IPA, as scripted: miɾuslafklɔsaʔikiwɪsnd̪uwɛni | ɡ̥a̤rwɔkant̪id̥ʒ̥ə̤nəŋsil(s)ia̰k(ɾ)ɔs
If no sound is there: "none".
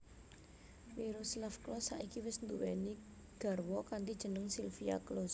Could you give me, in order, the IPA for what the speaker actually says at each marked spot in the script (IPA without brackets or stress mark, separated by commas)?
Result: f, l